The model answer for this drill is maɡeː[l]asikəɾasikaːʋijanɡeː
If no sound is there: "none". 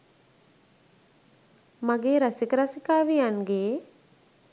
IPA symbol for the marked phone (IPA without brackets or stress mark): ɾ